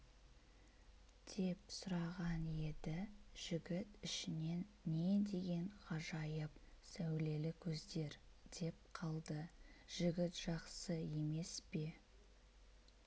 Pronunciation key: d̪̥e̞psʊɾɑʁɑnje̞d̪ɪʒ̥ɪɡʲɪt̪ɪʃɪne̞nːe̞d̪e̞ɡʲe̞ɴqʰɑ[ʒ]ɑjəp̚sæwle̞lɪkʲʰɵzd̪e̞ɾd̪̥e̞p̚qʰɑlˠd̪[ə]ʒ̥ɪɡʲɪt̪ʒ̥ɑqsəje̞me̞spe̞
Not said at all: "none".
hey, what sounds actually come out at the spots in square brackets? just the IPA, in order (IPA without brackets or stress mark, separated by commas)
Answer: ʒ, ə